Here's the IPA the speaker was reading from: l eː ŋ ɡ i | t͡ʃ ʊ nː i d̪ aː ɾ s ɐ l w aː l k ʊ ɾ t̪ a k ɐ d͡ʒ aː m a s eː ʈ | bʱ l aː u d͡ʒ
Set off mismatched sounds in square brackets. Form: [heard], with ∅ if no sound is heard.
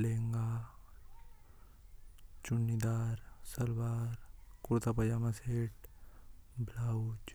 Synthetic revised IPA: l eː ŋ ɡ [a] | t͡ʃ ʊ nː i d̪ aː ɾ s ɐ l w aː [ɾ] k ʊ ɾ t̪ a [p] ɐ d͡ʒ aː m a s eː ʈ | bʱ l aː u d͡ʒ